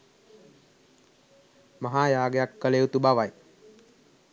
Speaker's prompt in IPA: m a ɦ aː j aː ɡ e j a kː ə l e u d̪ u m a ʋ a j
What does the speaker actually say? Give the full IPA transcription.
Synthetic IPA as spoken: m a ɦ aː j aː ɡ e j a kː ə l e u t̪ u b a ʋ a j